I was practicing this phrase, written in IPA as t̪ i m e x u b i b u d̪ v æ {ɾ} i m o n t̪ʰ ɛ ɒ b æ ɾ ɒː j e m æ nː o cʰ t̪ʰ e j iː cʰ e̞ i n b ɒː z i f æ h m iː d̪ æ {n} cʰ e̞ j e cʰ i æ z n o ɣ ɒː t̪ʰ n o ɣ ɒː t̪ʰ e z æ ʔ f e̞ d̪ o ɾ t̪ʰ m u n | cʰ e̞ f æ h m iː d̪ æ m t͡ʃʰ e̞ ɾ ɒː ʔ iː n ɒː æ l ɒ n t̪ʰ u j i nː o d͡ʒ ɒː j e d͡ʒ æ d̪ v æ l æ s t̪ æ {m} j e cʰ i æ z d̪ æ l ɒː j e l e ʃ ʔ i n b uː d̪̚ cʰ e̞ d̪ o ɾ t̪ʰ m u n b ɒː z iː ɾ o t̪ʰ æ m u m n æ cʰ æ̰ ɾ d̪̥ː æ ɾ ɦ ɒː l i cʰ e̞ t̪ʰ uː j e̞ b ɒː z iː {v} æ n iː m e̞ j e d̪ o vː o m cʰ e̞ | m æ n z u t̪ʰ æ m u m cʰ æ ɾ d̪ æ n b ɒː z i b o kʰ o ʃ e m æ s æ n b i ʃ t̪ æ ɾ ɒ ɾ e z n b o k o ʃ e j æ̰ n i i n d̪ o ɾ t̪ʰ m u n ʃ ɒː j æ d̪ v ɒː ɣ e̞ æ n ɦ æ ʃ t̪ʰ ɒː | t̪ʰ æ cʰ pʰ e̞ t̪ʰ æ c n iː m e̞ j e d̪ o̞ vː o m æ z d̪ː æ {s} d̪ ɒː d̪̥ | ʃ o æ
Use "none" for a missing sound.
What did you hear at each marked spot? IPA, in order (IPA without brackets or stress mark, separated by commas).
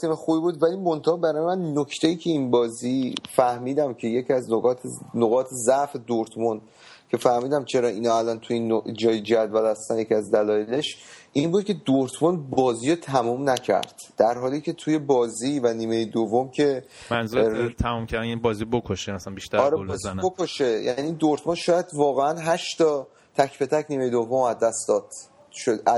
l, m, n, v, s